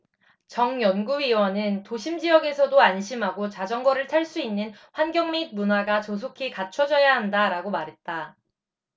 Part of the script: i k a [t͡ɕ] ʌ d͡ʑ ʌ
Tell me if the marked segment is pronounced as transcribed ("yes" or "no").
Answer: no